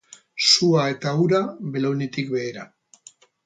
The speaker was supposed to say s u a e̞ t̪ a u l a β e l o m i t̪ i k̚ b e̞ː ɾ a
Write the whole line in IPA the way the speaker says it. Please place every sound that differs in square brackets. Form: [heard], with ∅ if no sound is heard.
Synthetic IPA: s u a e̞ t̪ a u [ɾ] a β e l o [n] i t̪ i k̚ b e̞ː ɾ a